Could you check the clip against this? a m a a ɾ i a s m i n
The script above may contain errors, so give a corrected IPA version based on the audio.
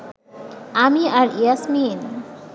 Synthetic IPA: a m i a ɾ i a s m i n